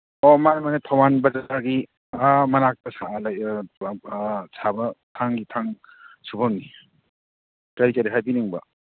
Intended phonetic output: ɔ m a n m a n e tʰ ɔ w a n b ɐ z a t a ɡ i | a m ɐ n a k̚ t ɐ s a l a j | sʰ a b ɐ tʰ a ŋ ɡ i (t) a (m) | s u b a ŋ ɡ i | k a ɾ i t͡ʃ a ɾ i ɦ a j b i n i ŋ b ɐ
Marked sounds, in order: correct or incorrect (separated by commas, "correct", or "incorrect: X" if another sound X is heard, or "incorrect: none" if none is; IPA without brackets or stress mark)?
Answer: incorrect: tʰ, incorrect: ŋ